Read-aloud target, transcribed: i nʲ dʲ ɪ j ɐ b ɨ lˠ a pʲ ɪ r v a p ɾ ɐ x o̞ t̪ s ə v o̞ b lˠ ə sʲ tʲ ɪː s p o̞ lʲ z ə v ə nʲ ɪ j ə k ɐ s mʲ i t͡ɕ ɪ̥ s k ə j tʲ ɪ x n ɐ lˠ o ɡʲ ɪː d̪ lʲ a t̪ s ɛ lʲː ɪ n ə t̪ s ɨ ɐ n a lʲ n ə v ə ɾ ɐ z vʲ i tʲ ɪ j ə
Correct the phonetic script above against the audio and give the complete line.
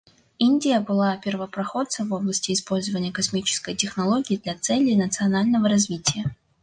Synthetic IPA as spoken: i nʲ dʲ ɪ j ə b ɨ lˠ a pʲ ɪ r v ə p ɾ ɐ x o̞ t̪ s ə v o̞ b lˠ ə sʲ tʲ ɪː s p o̞ lʲ z ə v ə nʲ ɪ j ə k ɐ s mʲ i t͡ɕ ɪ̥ s k ə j tʲ ɪ x n ɐ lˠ o ɡʲ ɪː d̪ lʲ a t̪ s ɛ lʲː ɪ n ə t̪ s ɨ ɐ n a lʲ n ə v ə ɾ ɐ z vʲ i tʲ ɪ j ə